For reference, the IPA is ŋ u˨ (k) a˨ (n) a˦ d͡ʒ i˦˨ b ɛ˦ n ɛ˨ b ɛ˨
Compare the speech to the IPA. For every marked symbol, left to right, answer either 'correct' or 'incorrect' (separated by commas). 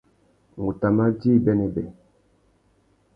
incorrect, incorrect